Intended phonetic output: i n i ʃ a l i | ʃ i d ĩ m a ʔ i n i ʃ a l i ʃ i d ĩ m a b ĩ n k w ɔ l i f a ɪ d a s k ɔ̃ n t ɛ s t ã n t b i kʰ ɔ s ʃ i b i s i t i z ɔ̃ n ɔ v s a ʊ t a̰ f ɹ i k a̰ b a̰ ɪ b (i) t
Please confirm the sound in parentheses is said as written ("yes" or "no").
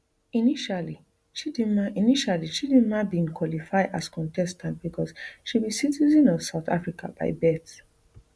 no